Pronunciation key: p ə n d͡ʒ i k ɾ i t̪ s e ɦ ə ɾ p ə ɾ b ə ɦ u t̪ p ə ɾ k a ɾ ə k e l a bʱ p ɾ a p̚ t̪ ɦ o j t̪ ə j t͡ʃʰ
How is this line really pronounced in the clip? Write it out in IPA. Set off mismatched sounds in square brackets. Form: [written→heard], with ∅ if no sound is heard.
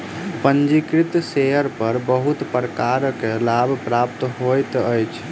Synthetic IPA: p ə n d͡ʒ i k ɾ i t̪ s e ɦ ə ɾ p ə ɾ b ə ɦ u t̪ p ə ɾ k a ɾ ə k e l a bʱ p ɾ a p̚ t̪ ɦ o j t̪ ə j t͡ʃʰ